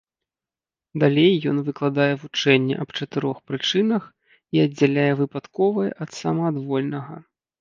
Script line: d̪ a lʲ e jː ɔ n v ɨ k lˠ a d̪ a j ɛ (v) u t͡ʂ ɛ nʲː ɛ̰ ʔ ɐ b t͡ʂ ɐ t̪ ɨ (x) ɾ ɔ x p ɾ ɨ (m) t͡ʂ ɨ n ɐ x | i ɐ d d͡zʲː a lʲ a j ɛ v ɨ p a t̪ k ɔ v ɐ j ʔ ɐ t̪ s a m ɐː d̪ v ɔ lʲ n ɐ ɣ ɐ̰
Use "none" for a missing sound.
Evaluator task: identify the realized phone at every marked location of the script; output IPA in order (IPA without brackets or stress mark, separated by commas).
v, none, none